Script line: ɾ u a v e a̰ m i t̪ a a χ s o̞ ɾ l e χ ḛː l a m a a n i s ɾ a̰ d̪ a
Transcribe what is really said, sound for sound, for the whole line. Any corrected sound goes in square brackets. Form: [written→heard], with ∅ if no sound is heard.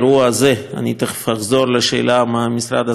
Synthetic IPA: ɾ u a [v→z] e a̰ [m→n] i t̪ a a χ [s→z] o̞ ɾ l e [χ→ʃ] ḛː l a m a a [n→m] i s ɾ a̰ d̪ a

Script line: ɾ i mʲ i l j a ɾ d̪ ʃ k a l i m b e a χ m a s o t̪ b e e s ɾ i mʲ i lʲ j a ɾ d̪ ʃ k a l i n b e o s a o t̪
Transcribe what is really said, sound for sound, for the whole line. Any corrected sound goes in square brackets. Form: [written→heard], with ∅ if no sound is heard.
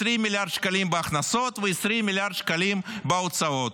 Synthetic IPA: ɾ i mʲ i l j a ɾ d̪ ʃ k a l i m b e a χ [m→n] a s o t̪ [b→v] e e s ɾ i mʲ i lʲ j a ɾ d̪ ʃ k a l i [n→m] b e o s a o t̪

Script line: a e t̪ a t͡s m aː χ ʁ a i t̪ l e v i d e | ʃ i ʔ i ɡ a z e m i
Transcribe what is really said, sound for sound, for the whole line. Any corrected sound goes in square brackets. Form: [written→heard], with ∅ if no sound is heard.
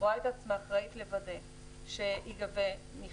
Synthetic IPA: a e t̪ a t͡s m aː χ ʁ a i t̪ l e v [i→a] d e | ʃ [i→e] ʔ i ɡ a [z→v] e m i

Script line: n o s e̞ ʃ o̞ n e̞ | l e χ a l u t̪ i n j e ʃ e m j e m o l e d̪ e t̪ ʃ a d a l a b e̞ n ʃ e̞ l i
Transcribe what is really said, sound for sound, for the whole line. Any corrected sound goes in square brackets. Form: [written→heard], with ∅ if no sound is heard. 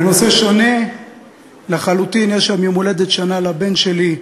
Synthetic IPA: n o s e̞ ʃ o̞ n e̞ | l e χ a l u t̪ i n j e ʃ [e→a] m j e m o l e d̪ e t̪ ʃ a [d→n] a l a b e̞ n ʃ e̞ l i

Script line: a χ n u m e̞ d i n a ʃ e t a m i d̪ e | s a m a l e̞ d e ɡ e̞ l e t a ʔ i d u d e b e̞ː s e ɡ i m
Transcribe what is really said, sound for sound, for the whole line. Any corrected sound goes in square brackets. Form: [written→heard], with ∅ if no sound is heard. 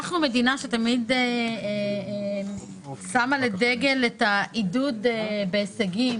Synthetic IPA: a χ n u m e̞ d i n a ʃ e t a m i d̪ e | s a m a l e̞ d e ɡ e̞ l e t a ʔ i d u d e b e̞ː s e ɡ i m

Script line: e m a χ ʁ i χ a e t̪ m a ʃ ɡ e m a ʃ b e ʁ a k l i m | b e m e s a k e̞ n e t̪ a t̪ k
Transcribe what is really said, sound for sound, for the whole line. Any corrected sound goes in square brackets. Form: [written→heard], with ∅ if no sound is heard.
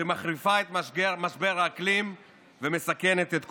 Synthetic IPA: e m a χ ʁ i [χ→f] a e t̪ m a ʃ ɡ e m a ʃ b e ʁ a k l i m | [b→v] e m e s a k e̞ n e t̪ [a→e] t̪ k

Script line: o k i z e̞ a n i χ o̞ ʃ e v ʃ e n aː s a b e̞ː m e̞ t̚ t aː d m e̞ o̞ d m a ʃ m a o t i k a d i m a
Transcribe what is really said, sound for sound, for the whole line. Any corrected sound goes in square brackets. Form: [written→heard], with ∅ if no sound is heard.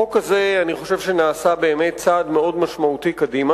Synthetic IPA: o k [i→a] z e̞ a n i χ o̞ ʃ e v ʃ e n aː s a b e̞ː m e̞ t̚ [t→t͡s] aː d m e̞ o̞ d m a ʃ m a [o→u] t i k a d i m a

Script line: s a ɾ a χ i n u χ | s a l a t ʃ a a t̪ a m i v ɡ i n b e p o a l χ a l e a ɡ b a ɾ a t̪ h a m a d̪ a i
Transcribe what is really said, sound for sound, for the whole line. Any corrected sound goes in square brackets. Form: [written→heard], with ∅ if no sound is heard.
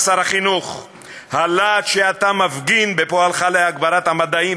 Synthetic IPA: s a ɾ a χ i n u χ | [s→h] a l a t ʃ [a→e] a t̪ a m [i→a] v ɡ i n b e p o a l χ a l e a ɡ b a ɾ a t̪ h a m a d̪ a i

